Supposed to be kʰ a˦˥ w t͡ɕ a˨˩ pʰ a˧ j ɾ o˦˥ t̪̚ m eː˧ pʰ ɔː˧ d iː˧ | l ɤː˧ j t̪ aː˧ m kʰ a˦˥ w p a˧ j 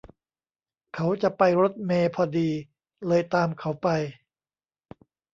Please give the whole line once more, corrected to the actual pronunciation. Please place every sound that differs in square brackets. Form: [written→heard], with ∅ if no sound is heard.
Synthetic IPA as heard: kʰ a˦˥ w t͡ɕ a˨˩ [pʰ→p] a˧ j ɾ o˦˥ t̪̚ m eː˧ pʰ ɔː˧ d iː˧ | l ɤː˧ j t̪ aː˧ m kʰ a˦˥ w p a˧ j